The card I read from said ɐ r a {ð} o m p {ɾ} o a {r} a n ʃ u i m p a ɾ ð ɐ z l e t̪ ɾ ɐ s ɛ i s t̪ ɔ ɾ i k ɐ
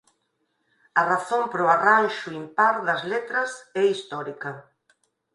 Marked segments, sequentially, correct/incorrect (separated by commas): incorrect, correct, correct